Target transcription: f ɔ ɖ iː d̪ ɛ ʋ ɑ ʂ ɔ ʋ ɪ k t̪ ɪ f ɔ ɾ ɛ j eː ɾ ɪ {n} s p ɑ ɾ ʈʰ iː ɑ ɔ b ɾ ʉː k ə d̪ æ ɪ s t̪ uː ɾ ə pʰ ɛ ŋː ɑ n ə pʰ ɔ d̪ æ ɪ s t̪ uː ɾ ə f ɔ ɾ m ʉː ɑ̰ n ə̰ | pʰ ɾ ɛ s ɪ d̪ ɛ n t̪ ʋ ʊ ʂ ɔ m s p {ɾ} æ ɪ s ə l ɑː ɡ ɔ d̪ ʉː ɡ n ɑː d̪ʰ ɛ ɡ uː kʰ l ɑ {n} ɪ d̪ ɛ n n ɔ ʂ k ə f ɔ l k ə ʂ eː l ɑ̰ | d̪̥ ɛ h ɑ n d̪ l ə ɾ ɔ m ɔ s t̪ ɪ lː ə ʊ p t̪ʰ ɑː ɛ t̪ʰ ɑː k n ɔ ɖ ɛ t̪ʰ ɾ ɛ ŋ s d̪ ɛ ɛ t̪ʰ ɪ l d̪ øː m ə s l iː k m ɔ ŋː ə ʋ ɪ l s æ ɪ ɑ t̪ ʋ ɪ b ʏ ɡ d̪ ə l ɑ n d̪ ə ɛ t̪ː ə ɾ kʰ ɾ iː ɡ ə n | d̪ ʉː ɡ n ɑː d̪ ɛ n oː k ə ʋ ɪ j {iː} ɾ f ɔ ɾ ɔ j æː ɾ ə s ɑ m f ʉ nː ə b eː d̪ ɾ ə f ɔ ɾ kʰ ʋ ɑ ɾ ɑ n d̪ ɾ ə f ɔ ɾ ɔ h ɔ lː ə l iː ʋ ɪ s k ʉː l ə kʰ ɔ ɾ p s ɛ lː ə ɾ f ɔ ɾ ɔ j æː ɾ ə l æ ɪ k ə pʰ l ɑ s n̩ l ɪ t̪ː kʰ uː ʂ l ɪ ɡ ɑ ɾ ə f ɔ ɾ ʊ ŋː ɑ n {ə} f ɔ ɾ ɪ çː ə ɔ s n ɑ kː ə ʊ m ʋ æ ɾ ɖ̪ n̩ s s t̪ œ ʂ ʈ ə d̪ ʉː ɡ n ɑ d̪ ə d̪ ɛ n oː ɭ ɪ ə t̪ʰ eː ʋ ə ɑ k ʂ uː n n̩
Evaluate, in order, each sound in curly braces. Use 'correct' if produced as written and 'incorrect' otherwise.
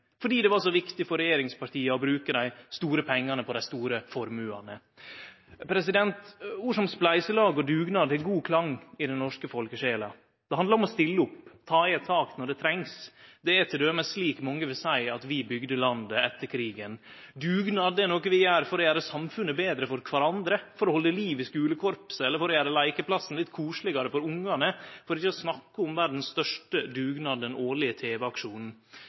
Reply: incorrect, incorrect, incorrect, incorrect, correct

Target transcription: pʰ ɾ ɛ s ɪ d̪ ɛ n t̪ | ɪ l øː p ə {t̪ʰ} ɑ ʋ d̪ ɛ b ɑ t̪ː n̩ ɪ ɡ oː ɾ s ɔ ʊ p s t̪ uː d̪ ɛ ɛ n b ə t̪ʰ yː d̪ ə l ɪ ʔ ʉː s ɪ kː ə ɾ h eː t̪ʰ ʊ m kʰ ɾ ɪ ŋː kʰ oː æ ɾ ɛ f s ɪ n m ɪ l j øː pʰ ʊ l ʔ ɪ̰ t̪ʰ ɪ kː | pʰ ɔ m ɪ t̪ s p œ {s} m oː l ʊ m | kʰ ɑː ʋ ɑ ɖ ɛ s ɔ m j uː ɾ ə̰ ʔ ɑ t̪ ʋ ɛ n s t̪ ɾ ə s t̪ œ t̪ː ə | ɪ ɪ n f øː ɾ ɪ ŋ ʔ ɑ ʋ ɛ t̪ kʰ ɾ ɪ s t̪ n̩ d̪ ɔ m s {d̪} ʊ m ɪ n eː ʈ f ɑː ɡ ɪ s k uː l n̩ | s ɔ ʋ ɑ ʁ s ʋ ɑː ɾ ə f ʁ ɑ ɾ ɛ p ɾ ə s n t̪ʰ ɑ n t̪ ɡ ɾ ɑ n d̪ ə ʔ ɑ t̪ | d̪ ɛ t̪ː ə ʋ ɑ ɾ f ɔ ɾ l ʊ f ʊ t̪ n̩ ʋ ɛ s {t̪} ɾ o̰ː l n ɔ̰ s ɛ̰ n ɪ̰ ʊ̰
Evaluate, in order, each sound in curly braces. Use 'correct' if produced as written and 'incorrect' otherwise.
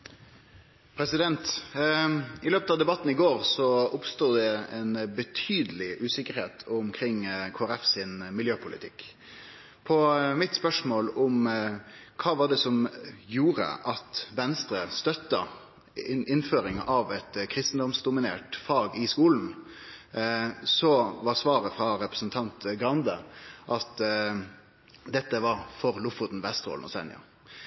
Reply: incorrect, incorrect, correct, correct

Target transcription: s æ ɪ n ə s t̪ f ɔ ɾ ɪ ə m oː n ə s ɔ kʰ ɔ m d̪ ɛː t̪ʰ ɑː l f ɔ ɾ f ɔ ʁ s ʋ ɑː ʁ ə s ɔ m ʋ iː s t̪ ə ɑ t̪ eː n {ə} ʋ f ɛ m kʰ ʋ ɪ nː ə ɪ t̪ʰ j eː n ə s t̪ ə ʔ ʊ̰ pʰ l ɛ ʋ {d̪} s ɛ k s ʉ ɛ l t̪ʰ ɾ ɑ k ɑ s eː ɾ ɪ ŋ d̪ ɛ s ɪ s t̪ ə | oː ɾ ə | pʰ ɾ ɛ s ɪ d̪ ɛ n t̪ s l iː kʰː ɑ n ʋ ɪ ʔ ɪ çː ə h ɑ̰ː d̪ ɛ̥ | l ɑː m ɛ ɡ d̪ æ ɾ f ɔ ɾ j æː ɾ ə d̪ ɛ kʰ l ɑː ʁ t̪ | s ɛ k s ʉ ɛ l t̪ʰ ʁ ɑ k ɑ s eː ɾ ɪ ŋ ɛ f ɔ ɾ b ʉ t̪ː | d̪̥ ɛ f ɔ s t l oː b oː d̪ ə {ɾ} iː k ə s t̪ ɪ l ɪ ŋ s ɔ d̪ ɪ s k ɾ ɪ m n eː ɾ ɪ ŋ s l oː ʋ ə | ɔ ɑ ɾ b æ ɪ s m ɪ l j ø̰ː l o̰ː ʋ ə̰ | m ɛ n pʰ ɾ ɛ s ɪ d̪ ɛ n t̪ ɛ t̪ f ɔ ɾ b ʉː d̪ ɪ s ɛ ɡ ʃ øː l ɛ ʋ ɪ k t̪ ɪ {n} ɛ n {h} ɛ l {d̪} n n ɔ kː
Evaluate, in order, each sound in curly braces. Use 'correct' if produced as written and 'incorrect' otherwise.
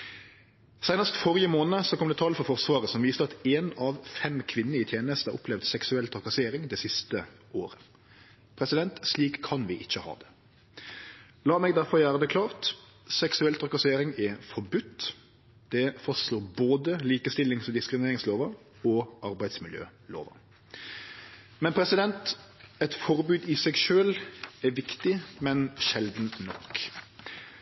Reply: incorrect, correct, incorrect, incorrect, incorrect, correct

